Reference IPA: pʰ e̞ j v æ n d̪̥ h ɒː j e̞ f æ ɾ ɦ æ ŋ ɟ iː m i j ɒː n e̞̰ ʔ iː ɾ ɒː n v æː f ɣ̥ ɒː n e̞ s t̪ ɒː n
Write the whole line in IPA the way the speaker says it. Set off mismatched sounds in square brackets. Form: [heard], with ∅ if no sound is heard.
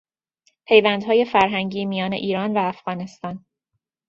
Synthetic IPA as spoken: pʰ e̞ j v æ n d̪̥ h ɒː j e̞ f æ ɾ ɦ æ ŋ ɟ iː m i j ɒː n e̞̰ ʔ iː ɾ ɒː n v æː f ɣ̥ ɒː n e̞ s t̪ ɒː n